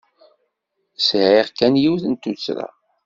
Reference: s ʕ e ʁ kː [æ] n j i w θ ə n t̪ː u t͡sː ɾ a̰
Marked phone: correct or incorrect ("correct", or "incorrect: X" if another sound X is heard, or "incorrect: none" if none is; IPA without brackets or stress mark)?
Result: correct